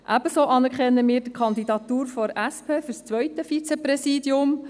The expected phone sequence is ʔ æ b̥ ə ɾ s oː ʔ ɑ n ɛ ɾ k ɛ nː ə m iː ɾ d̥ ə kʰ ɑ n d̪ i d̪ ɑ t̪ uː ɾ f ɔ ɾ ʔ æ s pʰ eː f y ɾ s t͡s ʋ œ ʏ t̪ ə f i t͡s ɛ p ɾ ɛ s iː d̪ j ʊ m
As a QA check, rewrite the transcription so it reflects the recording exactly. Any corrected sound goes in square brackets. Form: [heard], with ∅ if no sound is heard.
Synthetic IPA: ʔ æ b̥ ə [∅] s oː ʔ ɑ n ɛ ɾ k ɛ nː ə m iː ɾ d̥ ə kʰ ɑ n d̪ i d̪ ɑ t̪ uː ɾ f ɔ ɾ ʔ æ s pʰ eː f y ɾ s t͡s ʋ œ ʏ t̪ ə f i t͡s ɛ p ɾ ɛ s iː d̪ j ʊ m